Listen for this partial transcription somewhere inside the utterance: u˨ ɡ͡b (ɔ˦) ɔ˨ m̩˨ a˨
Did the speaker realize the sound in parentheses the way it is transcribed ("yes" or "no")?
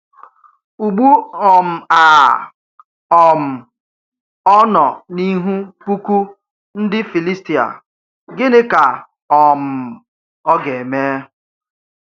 no